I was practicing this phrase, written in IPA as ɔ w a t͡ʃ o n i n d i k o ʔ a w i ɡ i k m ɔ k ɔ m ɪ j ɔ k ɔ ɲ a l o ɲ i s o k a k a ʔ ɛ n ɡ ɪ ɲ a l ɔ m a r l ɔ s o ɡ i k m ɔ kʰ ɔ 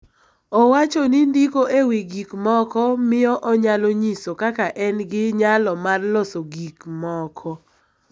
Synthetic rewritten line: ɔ w a t͡ʃ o n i n d i k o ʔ e w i ɡ i k m ɔ k ɔ m ɪ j ɔ ʔ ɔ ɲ a l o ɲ i s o k a k a ʔ ɛ n ɡ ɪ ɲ a l ɔ m a r l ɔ s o ɡ i k m ɔ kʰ ɔ